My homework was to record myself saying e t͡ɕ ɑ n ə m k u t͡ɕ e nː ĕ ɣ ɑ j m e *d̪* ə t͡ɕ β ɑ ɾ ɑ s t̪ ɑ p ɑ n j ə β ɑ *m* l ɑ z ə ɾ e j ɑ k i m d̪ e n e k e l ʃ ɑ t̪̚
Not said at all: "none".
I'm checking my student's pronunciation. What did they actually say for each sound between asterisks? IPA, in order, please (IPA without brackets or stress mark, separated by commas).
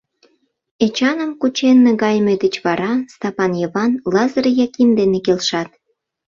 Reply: d̪, n